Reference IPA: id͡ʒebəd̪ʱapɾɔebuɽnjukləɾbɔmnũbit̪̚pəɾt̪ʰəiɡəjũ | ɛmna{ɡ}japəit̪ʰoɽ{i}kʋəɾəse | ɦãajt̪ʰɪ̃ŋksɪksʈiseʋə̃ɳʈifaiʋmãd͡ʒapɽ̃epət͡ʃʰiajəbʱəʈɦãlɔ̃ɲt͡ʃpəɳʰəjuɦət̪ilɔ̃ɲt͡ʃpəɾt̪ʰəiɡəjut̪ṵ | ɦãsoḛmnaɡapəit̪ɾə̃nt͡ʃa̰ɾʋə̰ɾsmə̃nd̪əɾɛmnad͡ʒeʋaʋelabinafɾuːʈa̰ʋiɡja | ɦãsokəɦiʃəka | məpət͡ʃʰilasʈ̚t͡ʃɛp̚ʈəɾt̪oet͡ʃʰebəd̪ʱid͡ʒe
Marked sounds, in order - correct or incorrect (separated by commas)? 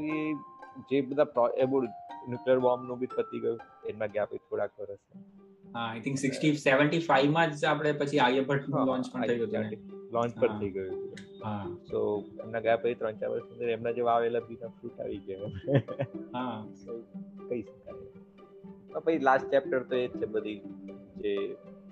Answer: correct, incorrect